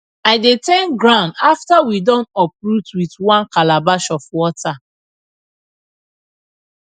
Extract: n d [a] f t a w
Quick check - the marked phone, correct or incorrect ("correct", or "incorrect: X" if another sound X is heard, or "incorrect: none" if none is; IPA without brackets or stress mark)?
correct